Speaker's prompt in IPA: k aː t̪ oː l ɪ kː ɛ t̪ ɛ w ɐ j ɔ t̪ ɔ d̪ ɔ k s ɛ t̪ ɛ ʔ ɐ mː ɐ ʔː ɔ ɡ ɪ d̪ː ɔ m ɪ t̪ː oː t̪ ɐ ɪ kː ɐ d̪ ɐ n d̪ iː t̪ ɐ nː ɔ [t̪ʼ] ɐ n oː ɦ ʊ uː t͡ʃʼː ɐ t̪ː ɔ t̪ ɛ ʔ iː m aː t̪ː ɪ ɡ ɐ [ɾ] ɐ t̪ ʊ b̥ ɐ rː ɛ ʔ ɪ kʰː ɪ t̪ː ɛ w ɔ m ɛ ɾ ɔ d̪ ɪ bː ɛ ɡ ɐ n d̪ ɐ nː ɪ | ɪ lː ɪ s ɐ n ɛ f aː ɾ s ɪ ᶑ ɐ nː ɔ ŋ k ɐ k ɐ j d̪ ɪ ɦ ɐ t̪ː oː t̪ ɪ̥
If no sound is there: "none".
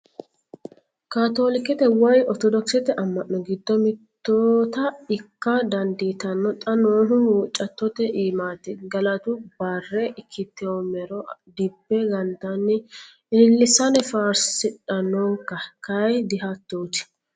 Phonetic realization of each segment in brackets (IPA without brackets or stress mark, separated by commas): t̪ʼ, l